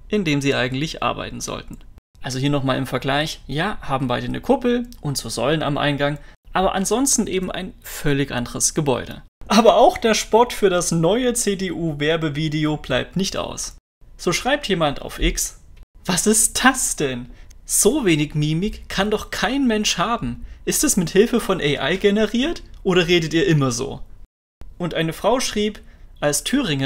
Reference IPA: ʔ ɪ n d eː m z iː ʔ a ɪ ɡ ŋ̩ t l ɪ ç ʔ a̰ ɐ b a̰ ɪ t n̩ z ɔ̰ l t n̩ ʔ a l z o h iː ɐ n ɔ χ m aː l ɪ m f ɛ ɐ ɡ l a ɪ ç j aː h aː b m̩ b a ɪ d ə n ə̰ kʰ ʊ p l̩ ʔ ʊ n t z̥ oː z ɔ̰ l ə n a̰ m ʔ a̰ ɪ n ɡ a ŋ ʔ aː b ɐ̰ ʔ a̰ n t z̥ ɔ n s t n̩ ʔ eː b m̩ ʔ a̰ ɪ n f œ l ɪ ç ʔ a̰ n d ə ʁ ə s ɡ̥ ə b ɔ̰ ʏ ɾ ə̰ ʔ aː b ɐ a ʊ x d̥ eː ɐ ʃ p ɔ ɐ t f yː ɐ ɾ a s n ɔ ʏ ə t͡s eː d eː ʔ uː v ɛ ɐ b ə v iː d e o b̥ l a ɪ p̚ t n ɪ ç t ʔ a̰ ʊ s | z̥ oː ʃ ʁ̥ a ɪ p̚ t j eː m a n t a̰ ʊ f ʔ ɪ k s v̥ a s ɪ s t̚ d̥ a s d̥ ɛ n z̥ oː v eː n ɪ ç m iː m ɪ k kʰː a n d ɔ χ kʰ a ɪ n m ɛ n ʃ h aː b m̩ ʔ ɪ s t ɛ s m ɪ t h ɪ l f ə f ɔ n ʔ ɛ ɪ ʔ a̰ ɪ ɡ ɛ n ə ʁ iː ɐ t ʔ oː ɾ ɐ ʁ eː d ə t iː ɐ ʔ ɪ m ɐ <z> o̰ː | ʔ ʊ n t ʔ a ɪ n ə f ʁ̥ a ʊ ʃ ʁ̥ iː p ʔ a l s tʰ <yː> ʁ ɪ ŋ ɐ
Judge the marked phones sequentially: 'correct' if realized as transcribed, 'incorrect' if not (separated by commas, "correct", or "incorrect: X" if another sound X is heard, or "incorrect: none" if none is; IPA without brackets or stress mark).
correct, correct